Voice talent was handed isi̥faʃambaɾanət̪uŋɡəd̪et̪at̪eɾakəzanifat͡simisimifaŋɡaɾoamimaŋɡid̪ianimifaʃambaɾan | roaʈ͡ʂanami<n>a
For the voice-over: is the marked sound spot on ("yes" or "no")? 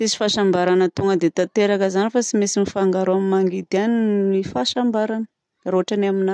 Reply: yes